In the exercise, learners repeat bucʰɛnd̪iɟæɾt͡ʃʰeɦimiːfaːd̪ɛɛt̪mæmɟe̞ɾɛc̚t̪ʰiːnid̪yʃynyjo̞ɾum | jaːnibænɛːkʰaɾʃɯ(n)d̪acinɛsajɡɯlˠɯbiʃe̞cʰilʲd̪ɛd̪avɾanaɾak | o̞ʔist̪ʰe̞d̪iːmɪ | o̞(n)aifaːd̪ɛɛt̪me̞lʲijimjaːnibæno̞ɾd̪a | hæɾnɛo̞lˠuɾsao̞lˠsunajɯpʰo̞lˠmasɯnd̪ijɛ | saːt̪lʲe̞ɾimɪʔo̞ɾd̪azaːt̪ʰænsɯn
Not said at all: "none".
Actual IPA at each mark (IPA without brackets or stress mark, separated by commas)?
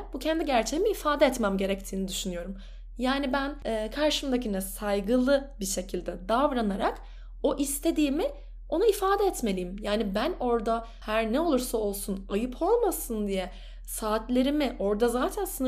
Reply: m, n